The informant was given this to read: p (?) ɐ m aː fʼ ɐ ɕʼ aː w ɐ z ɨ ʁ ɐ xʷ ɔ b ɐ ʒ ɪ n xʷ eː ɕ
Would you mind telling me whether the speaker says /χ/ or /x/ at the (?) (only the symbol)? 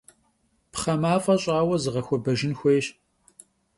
χ